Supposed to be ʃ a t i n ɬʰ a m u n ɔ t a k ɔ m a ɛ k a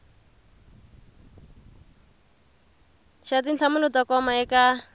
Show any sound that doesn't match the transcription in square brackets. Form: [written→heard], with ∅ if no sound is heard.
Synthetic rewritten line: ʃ a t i n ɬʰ a m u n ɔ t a k ɔ m a ɛ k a